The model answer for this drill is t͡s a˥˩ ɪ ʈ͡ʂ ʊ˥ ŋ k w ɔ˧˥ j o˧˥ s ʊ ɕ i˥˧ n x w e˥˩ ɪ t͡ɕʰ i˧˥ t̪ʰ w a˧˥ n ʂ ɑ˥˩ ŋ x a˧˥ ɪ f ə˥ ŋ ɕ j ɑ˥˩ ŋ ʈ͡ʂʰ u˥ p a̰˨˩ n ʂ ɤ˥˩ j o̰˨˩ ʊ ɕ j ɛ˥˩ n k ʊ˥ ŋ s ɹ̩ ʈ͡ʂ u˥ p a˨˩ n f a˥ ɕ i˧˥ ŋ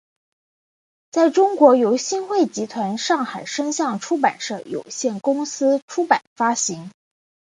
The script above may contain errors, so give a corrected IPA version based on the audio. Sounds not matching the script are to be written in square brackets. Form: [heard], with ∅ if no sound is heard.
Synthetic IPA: t͡s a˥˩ ɪ ʈ͡ʂ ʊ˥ ŋ k w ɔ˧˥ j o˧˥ [∅] ʊ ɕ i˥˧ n x w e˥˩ ɪ [t͡ɕ] i˧˥ t̪ʰ w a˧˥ n ʂ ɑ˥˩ ŋ x [a˨˩] ɪ [ʂ] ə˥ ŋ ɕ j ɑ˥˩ ŋ ʈ͡ʂʰ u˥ p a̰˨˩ n ʂ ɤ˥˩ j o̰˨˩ ʊ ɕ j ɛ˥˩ n k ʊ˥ ŋ s ɹ̩ [ʈ͡ʂʰ] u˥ p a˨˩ n f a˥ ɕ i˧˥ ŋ